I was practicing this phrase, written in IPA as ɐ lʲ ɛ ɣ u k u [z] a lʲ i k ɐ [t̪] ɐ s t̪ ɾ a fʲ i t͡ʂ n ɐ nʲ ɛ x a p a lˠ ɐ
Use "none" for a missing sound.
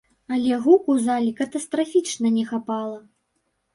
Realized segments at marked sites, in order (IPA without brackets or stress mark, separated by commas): z, t̪